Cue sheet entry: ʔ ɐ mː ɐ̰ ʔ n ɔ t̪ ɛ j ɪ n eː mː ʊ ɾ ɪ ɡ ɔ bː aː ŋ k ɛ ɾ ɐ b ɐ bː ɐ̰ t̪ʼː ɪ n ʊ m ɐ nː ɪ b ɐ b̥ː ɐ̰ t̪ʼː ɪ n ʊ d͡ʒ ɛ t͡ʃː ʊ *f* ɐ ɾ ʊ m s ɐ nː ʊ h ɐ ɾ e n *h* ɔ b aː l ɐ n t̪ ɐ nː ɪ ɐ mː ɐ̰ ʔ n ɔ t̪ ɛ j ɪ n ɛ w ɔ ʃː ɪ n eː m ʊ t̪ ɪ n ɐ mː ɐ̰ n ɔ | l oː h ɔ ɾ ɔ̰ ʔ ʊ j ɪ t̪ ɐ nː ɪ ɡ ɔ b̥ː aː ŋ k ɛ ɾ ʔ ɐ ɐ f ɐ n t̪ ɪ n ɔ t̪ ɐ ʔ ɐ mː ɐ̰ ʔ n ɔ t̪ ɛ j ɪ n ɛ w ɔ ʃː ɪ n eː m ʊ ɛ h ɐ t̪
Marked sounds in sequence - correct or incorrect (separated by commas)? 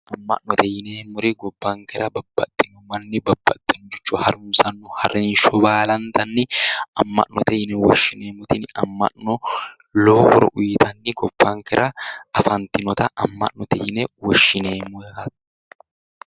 incorrect, incorrect